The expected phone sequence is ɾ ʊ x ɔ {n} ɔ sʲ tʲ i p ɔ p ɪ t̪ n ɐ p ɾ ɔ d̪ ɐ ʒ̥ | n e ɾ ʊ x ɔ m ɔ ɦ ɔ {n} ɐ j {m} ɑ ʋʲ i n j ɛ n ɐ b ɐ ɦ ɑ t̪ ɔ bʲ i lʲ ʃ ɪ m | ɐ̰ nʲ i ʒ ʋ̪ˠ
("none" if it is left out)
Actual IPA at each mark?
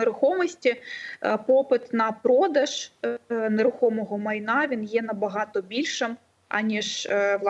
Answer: m, m, n

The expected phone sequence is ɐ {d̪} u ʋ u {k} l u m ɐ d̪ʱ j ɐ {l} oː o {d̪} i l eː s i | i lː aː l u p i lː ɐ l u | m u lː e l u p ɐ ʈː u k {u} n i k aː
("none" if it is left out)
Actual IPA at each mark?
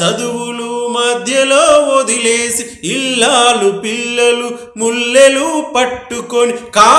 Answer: d̪, none, l, d̪, o

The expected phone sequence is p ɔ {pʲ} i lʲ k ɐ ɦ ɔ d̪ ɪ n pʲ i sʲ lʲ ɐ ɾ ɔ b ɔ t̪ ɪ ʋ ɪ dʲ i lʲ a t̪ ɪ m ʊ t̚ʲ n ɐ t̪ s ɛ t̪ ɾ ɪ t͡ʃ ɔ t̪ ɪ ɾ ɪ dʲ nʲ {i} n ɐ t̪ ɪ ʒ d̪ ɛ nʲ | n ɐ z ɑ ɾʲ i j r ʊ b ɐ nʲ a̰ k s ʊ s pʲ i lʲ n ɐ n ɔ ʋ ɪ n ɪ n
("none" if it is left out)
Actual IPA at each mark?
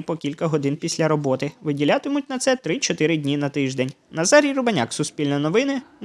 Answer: kʲ, i

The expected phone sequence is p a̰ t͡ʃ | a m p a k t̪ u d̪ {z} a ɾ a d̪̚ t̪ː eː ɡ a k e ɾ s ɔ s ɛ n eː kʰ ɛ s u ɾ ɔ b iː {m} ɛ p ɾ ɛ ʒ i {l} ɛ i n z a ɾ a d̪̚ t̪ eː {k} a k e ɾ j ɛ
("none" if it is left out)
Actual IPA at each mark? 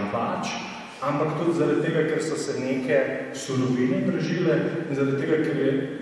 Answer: z, n, l, ɡ

